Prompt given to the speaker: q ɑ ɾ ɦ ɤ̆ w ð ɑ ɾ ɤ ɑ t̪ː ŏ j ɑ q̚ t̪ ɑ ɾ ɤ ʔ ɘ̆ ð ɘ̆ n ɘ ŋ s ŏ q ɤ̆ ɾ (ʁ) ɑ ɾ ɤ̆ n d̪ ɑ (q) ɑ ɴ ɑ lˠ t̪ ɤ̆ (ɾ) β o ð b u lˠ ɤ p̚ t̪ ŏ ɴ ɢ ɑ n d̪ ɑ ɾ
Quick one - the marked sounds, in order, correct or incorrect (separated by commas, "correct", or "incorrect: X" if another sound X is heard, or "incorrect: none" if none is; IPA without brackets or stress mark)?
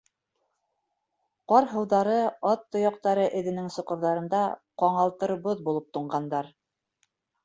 incorrect: ð, correct, correct